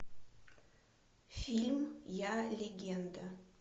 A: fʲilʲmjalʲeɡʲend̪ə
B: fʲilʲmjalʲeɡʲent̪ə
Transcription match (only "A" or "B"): A